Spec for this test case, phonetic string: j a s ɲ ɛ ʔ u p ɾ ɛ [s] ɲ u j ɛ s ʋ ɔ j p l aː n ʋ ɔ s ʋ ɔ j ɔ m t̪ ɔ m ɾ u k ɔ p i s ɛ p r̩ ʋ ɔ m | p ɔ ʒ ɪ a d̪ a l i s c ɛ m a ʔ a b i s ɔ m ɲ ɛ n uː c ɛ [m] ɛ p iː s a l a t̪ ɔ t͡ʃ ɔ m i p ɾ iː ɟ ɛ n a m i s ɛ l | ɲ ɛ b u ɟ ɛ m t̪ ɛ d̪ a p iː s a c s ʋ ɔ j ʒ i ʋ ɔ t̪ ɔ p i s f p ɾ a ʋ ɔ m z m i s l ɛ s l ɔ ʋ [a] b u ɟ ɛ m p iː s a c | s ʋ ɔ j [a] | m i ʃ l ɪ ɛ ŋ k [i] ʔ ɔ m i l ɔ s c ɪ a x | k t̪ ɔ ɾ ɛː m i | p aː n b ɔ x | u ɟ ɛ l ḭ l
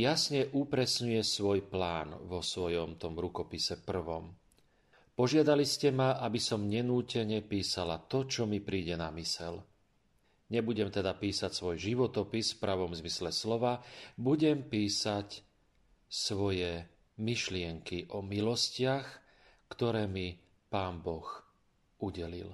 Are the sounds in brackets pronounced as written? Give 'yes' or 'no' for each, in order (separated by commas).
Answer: yes, no, yes, no, yes